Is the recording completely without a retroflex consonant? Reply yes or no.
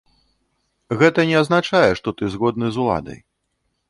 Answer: no